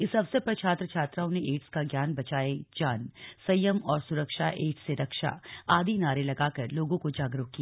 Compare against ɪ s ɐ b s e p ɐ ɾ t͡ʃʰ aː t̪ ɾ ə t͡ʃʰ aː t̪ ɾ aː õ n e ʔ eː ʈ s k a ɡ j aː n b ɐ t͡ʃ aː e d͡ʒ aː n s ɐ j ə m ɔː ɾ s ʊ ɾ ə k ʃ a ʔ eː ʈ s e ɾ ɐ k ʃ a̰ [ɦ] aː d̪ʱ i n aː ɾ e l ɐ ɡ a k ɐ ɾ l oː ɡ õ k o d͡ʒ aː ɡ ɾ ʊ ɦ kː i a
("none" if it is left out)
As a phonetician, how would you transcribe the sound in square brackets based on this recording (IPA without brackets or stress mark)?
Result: none